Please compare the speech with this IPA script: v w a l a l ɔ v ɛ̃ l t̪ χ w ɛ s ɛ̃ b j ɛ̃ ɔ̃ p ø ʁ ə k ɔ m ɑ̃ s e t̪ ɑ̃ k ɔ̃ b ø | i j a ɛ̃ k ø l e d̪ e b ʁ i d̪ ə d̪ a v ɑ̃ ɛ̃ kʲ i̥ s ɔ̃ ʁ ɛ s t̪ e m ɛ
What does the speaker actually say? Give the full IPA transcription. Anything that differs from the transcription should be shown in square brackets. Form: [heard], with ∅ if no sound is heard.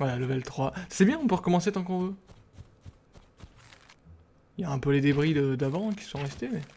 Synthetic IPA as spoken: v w a l a l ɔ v [ɛ] l t̪ χ w [a] s [ɛ] b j ɛ̃ ɔ̃ p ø ʁ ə k ɔ m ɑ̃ s e t̪ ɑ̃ k ɔ̃ [v] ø | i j a ɛ̃ [p] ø l e d̪ e b ʁ i d̪ ə d̪ a v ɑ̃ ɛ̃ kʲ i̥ s ɔ̃ ʁ ɛ s t̪ e m ɛ

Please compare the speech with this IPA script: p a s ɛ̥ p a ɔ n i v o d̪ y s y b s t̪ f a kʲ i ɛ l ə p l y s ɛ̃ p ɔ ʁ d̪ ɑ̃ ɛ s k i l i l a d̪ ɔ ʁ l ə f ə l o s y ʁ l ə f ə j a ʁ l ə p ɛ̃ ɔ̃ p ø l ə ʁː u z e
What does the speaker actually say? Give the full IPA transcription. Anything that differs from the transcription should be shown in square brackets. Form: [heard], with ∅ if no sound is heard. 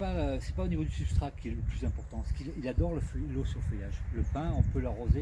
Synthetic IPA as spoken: p a s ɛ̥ p a [o] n i v o d̪ y s y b s t̪ [χ] a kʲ i ɛ l ə p l y [z] ɛ̃ p ɔ ʁ [t̪] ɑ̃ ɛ s k i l i l a d̪ ɔ ʁ l ə f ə l o s y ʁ l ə f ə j a [ʒ] l ə p ɛ̃ ɔ̃ p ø l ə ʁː [o] z e

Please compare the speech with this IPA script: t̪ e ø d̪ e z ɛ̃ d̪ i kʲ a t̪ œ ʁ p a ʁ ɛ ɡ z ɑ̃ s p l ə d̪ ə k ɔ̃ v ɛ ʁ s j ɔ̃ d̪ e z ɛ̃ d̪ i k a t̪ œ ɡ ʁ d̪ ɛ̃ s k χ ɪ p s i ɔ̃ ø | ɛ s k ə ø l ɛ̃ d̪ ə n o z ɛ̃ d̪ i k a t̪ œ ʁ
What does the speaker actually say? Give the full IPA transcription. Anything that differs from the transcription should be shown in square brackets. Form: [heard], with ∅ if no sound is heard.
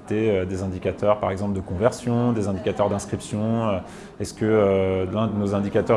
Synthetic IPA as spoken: t̪ e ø d̪ e z ɛ̃ d̪ i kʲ a t̪ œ ʁ p a ʁ ɛ ɡ z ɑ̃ [∅] p l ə d̪ ə k ɔ̃ v ɛ ʁ s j ɔ̃ d̪ e z ɛ̃ d̪ i k a t̪ œ [∅] ʁ d̪ ɛ̃ s k χ [i] p s [j] ɔ̃ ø | ɛ s k ə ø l ɛ̃ d̪ ə n o z ɛ̃ d̪ i k a t̪ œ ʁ

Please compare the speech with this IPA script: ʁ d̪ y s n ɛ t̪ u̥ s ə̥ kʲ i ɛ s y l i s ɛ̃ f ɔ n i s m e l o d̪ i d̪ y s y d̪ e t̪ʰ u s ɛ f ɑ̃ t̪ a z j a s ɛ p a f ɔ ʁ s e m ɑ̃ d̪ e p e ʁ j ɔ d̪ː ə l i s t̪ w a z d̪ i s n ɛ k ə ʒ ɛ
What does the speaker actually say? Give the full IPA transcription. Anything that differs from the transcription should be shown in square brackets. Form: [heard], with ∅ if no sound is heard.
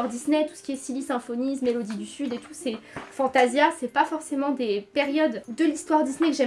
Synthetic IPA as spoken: ʁ d̪ [i] s n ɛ t̪ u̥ s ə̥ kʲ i ɛ s [i] l i s ɛ̃ f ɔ n i s m e l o d̪ i d̪ y s y d̪ e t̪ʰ u s ɛ f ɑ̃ t̪ a z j a s ɛ p a f ɔ ʁ s e m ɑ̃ d̪ e p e ʁ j ɔ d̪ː ə l i s t̪ w a [ʁ] d̪ i s n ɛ k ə ʒ ɛ

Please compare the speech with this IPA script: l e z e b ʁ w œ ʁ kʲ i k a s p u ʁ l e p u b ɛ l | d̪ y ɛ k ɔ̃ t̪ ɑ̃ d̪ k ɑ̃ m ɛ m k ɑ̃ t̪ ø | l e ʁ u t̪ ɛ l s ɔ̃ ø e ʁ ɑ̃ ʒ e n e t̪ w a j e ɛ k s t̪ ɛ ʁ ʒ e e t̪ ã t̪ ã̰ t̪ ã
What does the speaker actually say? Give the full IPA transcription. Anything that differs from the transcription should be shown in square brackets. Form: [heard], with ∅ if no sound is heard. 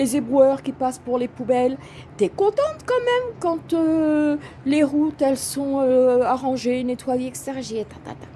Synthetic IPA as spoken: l e z e b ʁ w œ ʁ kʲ i [p] a s p u ʁ l e p u b ɛ l | [t̪] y ɛ k ɔ̃ t̪ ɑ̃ [t̪] k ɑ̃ m ɛ m k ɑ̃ t̪ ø | l e ʁ u t̪ ɛ l s ɔ̃ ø [a] ʁ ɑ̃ ʒ e n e t̪ w a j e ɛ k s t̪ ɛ ʁ ʒ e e t̪ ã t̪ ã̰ t̪ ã

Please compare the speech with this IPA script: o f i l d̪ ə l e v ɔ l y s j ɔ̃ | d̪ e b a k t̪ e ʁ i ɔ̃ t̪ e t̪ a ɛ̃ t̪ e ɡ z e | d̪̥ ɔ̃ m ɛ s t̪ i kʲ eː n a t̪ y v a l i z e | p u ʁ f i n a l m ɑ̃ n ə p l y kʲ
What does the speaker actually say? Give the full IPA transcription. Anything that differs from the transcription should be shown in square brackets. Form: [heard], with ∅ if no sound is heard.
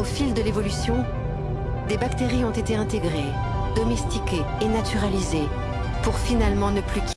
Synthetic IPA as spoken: o f i l d̪ ə l e v ɔ l y s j ɔ̃ | d̪ e b a k t̪ e ʁ i ɔ̃ t̪ e t̪ [e] ɛ̃ t̪ e ɡ [ʁ] e | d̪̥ [ɔ] m ɛ s t̪ i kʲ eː n a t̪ y [ʁ] a l i z e | p u ʁ f i n a l m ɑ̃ n ə p l y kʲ

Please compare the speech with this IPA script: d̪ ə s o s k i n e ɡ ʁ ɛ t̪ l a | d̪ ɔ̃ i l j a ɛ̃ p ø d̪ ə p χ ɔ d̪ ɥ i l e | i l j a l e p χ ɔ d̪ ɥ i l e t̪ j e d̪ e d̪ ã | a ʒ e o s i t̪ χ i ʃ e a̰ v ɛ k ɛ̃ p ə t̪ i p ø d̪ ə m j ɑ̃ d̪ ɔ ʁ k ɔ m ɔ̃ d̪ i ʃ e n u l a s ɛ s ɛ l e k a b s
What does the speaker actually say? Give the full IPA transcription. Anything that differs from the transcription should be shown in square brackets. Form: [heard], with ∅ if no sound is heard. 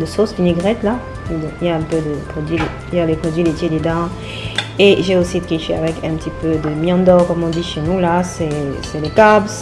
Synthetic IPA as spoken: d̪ ə s o s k i n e ɡ ʁ ɛ t̪ l a | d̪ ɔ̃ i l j a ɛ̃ p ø d̪ ə p χ ɔ d̪ ɥ i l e | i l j a l e p χ ɔ d̪ ɥ i l e t̪ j e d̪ e d̪ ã | [e] ʒ e o s i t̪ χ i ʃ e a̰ v ɛ k ɛ̃ p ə t̪ i p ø d̪ ə m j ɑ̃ d̪ ɔ ʁ k ɔ m ɔ̃ d̪ i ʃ e n u l a s ɛ s ɛ l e k a b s

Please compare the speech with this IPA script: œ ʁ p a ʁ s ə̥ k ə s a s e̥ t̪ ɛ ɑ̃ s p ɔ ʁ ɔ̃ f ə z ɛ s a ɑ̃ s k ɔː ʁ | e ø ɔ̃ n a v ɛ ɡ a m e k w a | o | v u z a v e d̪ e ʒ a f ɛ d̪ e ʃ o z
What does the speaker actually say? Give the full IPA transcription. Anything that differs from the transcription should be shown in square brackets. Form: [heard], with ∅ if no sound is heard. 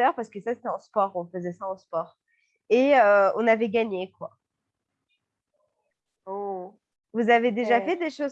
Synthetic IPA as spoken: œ ʁ p a ʁ s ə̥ k ə s a s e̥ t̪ ɛ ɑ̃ s p ɔ ʁ ɔ̃ f ə z ɛ s a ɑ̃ s [p] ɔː ʁ | e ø ɔ̃ n a v ɛ ɡ a [ɲ] e k w a | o | v u z a v e d̪ e ʒ a f ɛ d̪ e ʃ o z

